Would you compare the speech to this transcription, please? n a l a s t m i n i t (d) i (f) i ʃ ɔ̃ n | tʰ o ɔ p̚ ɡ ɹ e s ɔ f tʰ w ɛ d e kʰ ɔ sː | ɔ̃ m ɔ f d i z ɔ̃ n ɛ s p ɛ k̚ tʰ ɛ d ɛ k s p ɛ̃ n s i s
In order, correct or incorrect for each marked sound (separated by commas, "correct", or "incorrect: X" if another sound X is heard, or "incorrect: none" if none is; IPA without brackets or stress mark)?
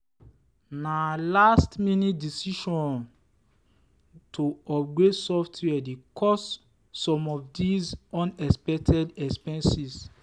correct, incorrect: s